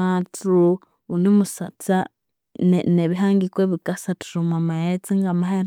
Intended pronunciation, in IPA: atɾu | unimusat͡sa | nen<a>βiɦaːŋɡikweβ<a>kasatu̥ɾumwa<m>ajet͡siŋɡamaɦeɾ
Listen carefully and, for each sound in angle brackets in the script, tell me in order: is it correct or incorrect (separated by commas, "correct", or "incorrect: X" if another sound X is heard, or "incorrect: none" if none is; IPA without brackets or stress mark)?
incorrect: e, incorrect: i, correct